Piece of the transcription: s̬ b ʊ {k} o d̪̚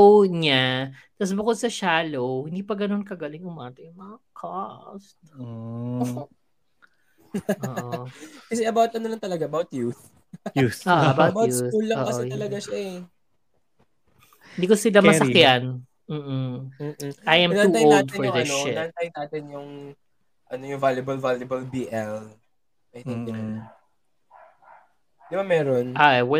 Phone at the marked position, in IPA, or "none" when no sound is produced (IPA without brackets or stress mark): k